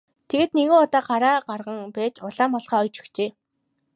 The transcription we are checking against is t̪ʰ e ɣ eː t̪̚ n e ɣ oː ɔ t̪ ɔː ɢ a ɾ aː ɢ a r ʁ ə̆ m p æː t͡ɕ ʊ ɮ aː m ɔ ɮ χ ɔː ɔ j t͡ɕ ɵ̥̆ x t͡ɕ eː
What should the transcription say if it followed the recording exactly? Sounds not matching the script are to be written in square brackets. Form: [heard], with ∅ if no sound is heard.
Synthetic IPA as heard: t̪ʰ e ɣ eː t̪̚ n e ɣ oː ɔ t̪ ɔː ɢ a ɾ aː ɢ a r ʁ ə̆ [ŋ] p æː t͡ɕ ʊ ɮ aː m ɔ ɮ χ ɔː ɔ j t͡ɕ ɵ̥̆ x t͡ɕ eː